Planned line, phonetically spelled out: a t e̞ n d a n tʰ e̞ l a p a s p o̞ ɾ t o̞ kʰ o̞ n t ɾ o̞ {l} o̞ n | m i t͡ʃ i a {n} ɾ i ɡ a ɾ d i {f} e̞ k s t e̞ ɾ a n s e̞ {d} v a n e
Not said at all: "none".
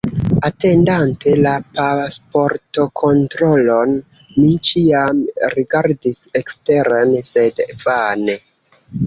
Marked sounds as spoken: l, m, s, d

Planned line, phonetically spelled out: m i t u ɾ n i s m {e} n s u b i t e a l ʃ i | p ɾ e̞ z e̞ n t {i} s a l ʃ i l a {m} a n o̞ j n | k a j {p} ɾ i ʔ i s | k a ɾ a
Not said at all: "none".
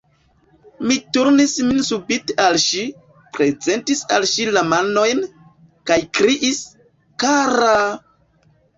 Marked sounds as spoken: i, i, m, k

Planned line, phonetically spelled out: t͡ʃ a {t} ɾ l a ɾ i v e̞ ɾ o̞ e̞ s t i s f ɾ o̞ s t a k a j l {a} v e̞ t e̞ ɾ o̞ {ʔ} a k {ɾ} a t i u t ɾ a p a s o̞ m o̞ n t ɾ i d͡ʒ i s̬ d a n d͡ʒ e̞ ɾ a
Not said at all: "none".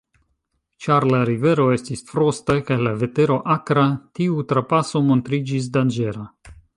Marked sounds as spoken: none, a, ʔ, ɾ

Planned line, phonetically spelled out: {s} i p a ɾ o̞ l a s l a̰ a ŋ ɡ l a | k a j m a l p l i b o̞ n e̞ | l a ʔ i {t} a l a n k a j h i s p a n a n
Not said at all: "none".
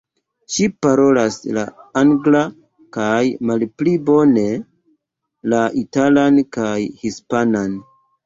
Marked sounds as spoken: ʃ, t

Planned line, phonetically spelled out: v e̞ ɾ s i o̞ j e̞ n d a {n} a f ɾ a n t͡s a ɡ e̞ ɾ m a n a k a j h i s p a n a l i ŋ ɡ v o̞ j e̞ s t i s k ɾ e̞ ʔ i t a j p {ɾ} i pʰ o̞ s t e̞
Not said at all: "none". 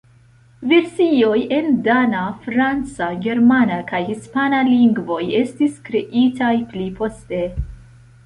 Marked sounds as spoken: n, l

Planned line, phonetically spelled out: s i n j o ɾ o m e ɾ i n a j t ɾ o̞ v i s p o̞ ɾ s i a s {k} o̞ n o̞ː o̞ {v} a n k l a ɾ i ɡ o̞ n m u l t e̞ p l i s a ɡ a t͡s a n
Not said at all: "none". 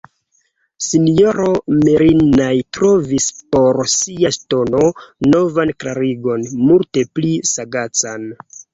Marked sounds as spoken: t, v

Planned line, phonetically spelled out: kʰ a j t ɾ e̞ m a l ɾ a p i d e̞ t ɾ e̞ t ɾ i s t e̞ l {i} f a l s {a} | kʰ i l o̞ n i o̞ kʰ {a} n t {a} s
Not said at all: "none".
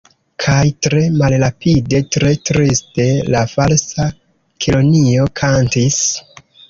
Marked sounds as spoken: a, a, a, i

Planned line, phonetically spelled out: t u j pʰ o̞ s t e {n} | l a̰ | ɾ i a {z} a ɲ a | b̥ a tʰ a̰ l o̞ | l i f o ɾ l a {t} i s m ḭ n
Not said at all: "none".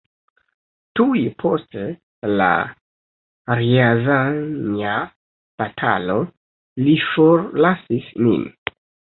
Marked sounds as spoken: none, z, s

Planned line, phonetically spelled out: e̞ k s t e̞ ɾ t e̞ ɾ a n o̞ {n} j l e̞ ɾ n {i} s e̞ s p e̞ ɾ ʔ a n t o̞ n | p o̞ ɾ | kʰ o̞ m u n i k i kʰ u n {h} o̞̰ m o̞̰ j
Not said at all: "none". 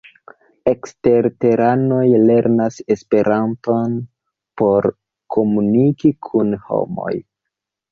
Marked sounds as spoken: none, a, h

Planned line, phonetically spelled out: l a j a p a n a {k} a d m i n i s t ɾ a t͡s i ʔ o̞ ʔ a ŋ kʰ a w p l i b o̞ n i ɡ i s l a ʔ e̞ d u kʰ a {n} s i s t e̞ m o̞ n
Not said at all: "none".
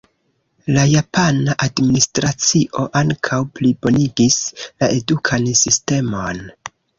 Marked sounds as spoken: ʔ, n

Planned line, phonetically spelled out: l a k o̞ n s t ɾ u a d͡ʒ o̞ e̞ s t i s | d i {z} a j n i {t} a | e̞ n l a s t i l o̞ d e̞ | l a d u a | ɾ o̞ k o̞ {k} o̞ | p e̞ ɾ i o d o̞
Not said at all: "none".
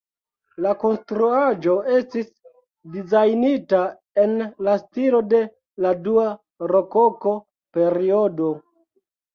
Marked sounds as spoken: z, t, k

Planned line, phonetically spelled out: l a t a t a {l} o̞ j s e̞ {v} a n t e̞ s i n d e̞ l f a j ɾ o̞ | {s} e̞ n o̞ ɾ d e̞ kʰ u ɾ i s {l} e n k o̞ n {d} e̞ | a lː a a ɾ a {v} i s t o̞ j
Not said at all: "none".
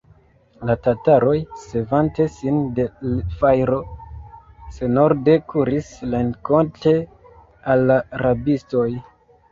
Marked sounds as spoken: ɾ, v, s, l, t, b

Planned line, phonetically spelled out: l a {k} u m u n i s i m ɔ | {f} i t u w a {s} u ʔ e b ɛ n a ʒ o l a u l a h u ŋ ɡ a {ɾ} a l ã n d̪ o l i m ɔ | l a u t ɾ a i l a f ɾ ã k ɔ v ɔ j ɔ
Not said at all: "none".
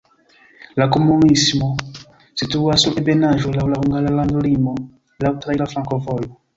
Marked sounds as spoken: k, s, s, l

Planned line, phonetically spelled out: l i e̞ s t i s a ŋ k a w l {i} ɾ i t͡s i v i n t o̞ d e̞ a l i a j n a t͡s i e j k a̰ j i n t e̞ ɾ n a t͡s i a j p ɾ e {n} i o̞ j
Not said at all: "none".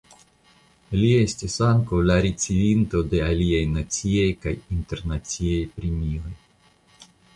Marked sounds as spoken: a, m

